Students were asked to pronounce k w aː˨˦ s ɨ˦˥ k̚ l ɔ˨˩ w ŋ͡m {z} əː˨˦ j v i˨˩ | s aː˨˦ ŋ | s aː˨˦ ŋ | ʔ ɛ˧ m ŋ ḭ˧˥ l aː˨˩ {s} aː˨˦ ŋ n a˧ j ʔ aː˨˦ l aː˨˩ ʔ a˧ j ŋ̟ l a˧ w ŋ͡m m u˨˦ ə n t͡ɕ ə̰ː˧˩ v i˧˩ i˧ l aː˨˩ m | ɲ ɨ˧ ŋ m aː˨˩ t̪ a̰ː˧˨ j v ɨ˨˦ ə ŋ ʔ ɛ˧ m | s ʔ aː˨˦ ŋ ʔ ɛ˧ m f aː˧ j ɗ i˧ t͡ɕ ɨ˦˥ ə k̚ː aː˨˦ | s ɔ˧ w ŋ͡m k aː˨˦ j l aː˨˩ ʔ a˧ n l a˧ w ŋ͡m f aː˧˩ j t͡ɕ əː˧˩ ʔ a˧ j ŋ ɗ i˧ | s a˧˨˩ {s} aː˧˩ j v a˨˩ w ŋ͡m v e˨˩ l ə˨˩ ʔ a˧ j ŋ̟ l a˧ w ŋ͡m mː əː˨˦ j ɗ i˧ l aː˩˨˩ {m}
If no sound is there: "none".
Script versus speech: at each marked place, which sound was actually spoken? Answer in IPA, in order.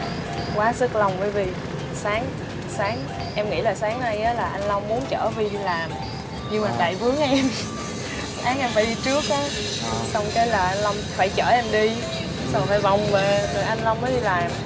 v, s, f, m

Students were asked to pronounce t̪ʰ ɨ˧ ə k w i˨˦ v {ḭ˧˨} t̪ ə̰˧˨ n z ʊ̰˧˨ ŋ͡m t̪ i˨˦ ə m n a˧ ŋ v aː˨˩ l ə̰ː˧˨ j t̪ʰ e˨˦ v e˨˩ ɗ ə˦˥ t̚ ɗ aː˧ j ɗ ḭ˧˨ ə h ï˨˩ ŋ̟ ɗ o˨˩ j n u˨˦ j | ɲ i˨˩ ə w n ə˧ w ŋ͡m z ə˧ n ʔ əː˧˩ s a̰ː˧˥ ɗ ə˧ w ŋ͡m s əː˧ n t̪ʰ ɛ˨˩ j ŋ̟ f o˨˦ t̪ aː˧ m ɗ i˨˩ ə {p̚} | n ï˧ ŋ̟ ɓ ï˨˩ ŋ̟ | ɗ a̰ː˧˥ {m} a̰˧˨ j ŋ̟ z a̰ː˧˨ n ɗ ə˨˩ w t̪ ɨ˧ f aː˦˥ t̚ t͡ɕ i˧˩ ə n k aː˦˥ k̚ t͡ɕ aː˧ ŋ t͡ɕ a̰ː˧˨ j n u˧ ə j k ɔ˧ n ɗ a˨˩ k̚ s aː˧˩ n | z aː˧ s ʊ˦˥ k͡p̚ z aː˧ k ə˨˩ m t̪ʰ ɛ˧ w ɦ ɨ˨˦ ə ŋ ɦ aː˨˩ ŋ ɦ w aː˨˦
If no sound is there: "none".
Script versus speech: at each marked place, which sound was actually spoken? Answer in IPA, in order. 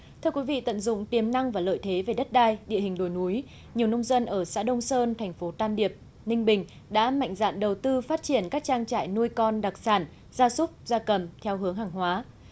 ḭ˧˨, p̚, m

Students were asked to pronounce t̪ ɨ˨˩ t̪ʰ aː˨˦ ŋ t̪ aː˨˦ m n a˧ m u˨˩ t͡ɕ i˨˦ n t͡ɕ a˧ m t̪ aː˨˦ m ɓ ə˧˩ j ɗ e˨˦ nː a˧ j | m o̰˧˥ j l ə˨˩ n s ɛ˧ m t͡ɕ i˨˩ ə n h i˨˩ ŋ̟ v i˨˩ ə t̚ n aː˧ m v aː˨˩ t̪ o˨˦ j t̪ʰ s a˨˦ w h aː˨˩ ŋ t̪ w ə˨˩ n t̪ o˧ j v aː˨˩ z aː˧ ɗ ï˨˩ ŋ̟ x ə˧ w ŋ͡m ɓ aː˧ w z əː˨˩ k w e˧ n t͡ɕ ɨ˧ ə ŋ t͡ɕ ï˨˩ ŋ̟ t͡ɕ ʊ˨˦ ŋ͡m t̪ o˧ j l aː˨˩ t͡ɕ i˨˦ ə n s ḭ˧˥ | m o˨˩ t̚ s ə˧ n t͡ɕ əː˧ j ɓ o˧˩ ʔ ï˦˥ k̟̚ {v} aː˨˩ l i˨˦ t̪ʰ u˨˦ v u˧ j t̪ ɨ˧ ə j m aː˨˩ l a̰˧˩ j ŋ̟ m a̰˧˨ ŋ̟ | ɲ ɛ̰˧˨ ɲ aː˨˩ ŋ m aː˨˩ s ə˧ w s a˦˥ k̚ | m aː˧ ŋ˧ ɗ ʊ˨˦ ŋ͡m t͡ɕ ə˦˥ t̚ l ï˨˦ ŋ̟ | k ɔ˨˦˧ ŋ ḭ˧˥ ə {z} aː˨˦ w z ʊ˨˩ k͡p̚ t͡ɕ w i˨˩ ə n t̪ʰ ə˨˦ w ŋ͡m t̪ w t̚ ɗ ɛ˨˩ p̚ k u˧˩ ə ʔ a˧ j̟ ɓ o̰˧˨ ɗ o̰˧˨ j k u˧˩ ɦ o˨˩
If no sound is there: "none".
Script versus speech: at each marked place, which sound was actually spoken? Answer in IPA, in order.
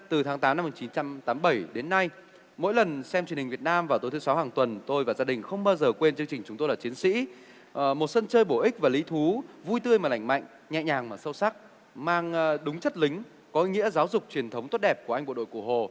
v, z

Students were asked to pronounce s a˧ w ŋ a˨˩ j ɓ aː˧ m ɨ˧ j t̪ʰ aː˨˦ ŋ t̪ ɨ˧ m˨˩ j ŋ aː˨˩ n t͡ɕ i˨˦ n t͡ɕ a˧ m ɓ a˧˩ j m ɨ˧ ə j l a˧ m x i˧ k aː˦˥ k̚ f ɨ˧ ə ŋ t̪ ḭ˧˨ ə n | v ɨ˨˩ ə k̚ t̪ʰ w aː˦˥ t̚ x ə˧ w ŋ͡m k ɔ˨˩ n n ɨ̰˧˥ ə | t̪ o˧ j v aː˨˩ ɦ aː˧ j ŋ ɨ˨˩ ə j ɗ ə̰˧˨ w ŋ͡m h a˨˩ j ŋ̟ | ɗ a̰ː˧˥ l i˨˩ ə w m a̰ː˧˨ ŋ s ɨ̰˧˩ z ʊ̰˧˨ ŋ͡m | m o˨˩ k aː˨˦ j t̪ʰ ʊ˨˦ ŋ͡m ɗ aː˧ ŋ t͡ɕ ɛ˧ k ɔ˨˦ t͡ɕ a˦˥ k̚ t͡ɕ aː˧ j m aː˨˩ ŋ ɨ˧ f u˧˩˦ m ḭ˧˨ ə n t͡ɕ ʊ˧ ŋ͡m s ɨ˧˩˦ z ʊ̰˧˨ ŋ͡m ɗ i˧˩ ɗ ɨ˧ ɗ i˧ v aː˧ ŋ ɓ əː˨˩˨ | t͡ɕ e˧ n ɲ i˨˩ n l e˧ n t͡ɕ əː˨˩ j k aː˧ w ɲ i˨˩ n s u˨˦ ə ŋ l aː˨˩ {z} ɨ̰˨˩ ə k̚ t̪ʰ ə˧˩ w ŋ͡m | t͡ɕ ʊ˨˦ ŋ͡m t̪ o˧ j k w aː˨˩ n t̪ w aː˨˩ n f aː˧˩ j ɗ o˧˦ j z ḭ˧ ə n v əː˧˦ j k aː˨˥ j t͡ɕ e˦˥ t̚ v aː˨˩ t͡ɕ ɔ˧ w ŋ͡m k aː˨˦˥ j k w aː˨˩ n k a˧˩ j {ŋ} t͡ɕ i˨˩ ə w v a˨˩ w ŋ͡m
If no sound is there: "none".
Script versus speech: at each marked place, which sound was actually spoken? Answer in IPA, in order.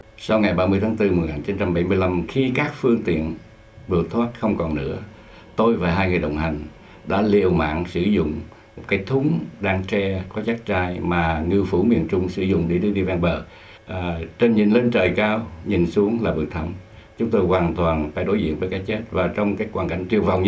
v, ŋ

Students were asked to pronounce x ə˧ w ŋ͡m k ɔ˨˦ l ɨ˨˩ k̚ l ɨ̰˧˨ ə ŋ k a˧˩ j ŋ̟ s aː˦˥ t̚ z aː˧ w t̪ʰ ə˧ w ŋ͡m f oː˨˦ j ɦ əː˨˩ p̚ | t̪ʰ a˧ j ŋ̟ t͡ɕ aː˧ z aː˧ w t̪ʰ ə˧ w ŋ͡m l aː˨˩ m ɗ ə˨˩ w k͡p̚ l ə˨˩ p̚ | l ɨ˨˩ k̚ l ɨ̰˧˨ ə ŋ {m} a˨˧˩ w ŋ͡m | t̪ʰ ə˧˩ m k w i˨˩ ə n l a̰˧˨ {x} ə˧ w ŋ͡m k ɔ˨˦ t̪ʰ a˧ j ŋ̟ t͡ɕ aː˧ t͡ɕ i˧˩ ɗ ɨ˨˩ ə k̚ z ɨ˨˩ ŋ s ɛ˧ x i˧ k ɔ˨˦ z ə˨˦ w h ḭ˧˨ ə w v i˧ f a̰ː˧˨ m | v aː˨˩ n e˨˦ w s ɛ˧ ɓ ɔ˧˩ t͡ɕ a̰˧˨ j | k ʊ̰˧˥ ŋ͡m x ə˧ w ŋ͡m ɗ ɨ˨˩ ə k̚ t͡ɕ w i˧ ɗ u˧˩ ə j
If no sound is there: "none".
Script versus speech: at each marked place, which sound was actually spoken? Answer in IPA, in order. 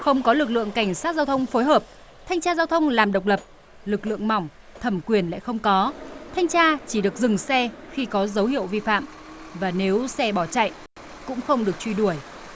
m, x

